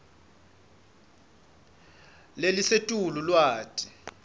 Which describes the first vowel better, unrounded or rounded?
unrounded